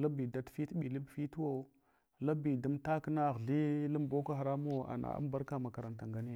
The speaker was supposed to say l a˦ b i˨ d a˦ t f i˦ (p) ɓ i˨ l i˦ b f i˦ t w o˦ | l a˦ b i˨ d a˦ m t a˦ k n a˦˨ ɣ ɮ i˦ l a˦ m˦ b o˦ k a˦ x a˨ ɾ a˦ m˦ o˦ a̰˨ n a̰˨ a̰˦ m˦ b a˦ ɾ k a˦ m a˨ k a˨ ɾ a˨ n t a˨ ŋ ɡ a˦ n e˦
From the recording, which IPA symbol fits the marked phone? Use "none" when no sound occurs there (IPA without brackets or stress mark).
t